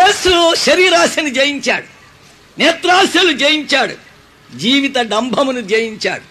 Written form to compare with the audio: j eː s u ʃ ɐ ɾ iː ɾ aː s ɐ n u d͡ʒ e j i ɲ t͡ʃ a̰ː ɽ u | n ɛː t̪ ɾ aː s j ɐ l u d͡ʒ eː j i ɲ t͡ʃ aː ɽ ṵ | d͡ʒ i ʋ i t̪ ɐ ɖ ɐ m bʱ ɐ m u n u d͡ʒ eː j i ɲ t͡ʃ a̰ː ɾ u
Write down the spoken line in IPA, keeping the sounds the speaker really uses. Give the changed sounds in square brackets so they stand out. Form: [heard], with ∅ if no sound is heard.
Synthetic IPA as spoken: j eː s u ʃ ɐ ɾ iː ɾ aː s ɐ n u d͡ʒ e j i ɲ t͡ʃ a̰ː ɽ u | n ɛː t̪ ɾ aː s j ɐ l u d͡ʒ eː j i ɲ t͡ʃ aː ɽ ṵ | d͡ʒ [iː] ʋ i t̪ ɐ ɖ ɐ m bʱ ɐ m u n u d͡ʒ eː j i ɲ t͡ʃ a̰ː [ɽ] u